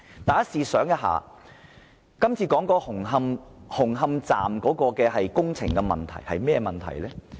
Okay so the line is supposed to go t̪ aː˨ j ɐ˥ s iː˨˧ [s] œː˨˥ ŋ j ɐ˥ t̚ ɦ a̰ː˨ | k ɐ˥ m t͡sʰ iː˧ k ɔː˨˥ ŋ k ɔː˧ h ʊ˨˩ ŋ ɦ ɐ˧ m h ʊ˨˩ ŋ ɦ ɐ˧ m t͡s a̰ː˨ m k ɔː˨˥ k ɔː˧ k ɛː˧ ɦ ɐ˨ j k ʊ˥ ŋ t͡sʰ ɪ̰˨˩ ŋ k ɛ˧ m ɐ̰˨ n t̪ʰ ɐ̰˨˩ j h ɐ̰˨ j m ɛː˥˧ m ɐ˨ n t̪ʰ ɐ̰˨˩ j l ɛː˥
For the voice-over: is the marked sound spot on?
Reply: yes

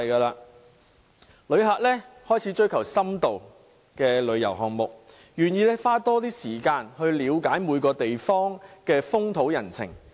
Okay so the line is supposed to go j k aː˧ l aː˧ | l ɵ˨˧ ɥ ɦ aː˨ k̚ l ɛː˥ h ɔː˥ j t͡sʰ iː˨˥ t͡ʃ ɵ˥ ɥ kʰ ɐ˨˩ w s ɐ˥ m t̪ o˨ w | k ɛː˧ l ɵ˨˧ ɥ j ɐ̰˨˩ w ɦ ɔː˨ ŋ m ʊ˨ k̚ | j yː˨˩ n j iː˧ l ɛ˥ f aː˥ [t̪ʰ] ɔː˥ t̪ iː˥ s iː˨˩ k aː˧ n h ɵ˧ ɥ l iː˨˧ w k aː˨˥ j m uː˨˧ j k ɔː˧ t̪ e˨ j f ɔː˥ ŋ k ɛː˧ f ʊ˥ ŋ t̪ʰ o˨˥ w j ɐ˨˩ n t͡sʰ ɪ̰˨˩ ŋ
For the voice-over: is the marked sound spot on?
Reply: no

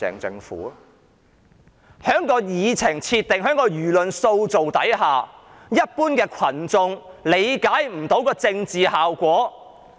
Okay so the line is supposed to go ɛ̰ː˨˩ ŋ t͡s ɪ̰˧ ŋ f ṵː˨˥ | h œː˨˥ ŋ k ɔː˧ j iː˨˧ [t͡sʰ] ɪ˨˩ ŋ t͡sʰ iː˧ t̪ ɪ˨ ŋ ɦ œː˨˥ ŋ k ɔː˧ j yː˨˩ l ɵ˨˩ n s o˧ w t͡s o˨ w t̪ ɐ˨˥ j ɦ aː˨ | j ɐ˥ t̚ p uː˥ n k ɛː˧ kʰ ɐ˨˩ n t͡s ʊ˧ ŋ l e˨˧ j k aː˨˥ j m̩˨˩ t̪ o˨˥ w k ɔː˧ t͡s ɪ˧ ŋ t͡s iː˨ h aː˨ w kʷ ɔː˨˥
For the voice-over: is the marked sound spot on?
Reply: yes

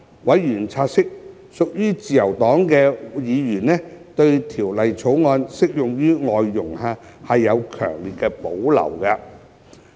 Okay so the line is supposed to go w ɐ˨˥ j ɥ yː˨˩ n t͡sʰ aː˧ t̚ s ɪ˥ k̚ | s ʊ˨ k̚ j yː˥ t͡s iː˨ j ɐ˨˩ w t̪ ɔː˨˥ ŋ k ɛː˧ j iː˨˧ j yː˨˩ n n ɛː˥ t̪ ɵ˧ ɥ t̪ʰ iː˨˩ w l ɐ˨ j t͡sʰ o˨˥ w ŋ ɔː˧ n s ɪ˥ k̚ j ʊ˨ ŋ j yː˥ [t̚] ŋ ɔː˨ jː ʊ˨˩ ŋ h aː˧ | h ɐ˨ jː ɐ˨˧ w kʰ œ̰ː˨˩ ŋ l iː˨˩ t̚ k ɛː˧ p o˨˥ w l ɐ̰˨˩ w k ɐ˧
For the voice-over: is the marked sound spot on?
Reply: no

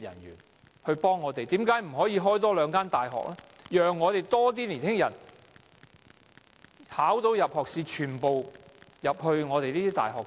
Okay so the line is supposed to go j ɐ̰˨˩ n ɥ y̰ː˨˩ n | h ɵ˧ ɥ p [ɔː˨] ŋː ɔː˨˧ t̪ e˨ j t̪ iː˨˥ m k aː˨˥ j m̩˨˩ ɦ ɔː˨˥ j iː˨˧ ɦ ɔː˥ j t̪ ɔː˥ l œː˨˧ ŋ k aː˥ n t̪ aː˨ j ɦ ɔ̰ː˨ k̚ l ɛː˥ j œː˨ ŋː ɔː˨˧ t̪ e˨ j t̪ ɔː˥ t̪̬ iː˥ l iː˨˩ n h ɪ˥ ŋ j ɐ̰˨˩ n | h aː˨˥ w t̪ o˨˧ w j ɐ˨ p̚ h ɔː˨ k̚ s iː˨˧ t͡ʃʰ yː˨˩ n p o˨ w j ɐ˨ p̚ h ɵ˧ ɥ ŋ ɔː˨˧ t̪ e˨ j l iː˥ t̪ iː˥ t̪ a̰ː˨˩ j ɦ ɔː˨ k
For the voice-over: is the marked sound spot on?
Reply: no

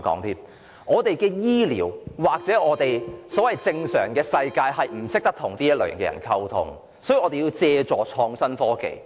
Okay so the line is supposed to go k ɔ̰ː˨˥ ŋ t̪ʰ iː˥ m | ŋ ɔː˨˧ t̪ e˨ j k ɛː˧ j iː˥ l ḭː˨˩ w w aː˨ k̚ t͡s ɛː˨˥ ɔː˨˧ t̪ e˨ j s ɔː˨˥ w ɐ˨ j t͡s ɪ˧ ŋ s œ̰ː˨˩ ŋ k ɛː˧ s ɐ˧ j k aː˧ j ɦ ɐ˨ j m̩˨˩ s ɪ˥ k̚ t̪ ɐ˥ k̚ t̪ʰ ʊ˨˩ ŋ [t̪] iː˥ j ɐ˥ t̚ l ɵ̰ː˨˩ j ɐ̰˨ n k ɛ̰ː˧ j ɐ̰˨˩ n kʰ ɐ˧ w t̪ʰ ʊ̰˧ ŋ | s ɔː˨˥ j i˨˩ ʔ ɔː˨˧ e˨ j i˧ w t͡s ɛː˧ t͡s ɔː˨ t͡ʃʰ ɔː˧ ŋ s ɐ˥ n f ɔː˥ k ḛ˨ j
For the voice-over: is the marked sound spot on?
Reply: yes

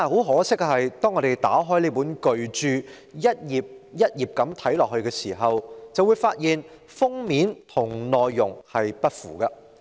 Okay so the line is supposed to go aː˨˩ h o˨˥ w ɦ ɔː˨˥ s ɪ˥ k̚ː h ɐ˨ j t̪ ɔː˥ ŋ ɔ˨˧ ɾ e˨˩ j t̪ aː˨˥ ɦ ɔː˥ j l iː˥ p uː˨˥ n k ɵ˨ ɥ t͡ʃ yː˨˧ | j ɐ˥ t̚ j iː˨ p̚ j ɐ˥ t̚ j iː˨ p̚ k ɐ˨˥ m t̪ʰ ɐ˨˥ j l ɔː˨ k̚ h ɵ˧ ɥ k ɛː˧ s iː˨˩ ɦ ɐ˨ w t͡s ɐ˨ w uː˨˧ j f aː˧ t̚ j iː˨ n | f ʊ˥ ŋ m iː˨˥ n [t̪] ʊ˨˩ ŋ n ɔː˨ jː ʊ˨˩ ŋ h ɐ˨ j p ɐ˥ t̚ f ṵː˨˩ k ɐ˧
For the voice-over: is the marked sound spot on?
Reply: no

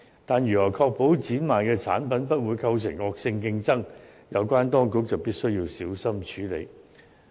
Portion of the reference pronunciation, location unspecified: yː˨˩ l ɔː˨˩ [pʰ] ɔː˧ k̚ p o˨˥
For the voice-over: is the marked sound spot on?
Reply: no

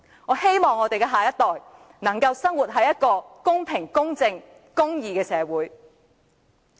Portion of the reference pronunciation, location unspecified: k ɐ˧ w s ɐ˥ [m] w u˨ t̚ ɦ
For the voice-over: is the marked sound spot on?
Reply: no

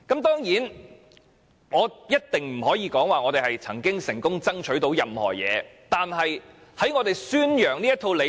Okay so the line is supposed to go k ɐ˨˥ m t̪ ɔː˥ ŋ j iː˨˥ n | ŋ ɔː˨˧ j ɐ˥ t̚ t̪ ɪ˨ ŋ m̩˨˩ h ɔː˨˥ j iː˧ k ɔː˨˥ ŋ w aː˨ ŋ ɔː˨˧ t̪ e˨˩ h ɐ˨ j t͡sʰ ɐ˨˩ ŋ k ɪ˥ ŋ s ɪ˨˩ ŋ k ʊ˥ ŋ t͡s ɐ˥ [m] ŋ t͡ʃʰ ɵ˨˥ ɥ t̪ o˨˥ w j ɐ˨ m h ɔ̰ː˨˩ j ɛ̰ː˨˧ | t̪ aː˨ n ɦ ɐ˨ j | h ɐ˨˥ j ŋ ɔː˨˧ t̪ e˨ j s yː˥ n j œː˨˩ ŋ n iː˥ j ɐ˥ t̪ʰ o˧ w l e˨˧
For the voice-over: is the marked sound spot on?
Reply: no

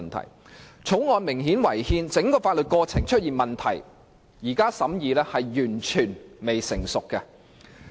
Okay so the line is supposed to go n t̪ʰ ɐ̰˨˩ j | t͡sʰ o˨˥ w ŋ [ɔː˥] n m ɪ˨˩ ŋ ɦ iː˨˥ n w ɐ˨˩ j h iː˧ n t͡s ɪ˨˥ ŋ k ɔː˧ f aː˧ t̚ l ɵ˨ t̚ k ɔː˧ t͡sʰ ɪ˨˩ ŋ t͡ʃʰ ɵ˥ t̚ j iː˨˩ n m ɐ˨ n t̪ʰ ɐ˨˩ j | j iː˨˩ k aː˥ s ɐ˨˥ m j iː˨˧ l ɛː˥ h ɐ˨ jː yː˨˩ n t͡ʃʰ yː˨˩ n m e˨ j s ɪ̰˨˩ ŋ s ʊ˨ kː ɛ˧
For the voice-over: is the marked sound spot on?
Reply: no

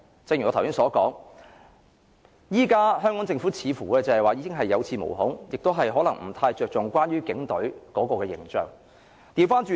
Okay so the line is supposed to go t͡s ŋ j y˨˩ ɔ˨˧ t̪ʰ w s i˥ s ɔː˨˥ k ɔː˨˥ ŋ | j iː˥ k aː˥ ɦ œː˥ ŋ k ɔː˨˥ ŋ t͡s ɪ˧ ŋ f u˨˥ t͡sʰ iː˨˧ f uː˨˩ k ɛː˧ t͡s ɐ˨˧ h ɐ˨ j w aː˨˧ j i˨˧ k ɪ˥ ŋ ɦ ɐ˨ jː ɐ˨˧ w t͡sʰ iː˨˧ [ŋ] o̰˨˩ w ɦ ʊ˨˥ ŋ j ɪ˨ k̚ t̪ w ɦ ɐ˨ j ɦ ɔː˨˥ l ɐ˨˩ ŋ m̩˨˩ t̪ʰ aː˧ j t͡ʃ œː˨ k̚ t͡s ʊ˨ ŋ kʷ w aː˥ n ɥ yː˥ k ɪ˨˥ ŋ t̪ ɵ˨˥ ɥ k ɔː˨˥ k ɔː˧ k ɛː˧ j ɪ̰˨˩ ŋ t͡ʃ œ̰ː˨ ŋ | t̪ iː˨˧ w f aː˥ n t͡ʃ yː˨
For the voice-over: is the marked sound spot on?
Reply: no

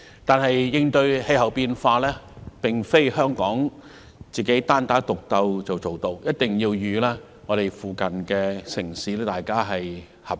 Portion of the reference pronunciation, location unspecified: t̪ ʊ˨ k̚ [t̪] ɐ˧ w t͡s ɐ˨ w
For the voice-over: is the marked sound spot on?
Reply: yes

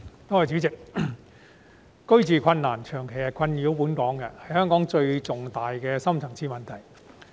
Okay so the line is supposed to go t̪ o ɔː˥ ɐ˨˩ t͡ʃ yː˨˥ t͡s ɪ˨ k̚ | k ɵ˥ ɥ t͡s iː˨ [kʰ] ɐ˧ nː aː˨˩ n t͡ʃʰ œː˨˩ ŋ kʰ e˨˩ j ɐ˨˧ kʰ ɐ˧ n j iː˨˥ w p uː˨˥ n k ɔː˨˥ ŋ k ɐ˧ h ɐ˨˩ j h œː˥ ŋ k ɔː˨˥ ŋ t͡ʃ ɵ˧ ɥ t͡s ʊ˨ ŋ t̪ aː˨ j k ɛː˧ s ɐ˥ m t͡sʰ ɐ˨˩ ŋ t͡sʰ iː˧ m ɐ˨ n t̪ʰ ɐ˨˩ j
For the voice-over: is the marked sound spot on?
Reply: yes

